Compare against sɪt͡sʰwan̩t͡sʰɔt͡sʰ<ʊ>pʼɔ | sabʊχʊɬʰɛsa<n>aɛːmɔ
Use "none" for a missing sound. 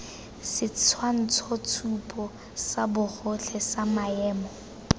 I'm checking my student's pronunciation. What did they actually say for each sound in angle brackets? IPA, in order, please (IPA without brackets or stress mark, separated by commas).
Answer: u, m